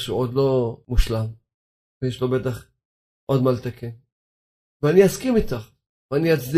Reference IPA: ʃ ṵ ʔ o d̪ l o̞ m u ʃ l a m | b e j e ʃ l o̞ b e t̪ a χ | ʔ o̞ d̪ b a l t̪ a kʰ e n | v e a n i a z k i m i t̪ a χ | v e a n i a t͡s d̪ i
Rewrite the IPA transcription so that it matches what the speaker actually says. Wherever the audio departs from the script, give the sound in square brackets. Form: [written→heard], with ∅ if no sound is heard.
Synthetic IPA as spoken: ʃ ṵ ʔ o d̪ l o̞ m u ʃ l a m | [b→v] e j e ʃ l o̞ b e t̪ a χ | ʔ o̞ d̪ [b→m] a l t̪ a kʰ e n | v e a n i a [z→s] k i m i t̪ a χ | v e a n i a t͡s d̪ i